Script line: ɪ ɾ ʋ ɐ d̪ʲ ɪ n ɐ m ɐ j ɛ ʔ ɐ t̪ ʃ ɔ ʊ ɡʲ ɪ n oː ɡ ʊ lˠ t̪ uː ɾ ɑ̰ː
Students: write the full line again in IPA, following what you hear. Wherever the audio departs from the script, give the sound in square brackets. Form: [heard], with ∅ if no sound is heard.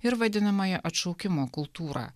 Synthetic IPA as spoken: ɪ ɾ ʋ ɐ d̪ʲ ɪ n ɐ m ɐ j ɛ ʔ ɐ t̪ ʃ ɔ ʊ [kʲ] ɪ [m] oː [k] ʊ lˠ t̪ uː ɾ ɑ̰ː